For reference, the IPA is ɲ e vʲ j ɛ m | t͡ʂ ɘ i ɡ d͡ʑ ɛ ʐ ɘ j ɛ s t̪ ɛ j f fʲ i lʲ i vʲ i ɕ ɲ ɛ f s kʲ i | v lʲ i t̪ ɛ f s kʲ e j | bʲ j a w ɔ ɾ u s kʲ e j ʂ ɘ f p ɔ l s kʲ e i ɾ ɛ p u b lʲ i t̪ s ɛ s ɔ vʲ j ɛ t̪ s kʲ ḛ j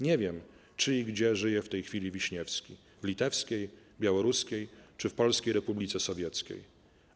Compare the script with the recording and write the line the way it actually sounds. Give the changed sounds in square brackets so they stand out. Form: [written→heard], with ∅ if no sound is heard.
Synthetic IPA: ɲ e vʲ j ɛ m | t͡ʂ ɘ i ɡ d͡ʑ ɛ ʐ ɘ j ɛ [s→f] t̪ ɛ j [f→x] fʲ i lʲ i vʲ i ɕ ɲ ɛ f s kʲ i | v lʲ i t̪ ɛ f s kʲ e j | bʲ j a w ɔ ɾ u s kʲ e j [ʂ→t͡ʂ] ɘ f p ɔ l s kʲ e [i→j] ɾ ɛ p u b lʲ i t̪ s ɛ s ɔ vʲ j ɛ t̪ s kʲ ḛ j